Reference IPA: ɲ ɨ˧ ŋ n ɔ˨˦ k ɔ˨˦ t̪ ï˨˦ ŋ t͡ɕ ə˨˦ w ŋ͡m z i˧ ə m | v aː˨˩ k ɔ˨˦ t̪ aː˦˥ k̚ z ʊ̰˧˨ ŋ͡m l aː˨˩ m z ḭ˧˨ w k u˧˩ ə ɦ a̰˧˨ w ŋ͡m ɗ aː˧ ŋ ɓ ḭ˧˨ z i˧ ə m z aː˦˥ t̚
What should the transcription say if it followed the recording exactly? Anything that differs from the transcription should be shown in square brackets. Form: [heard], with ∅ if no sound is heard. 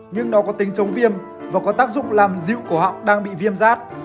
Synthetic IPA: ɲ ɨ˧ ŋ n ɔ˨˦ k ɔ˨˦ t̪ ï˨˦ ŋ t͡ɕ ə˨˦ w ŋ͡m [v] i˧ ə m | v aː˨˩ k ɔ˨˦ t̪ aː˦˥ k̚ z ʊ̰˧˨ ŋ͡m l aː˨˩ m z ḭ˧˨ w k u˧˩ ə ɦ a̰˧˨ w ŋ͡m ɗ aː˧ ŋ ɓ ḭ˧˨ [v] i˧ ə m z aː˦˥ t̚